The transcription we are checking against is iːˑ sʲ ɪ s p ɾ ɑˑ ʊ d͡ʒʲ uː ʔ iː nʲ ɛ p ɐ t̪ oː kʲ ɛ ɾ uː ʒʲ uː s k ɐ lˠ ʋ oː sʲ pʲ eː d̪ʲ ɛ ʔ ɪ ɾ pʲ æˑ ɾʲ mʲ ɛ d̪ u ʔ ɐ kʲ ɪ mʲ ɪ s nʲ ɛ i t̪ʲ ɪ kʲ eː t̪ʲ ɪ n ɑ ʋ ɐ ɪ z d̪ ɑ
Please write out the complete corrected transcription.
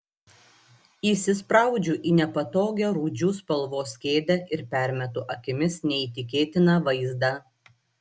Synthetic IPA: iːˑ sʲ ɪ s p ɾ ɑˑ ʊ d͡ʒʲ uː ʔ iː nʲ ɛ p ɐ t̪ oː ɡʲ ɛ ɾ uː d͡ʒʲ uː s p ɐ lˠ ʋ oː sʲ kʲ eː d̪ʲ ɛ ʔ ɪ ɾ pʲ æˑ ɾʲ mʲ ɛ t̪ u ʔ ɐ kʲ ɪ mʲ ɪ s nʲ ɛ i t̪ʲ ɪ kʲ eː t̪ʲ ɪ n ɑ ʋ ɐ ɪ z d̪ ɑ